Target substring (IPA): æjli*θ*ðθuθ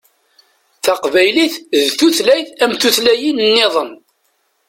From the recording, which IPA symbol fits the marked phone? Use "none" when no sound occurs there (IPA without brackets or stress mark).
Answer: θ